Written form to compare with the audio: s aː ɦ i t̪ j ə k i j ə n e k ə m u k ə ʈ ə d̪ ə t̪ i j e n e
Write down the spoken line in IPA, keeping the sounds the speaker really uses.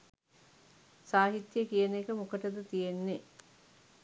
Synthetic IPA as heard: s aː ɦ i t̪ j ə k i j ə n e k ə m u k ə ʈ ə d̪ ə t̪ i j e nː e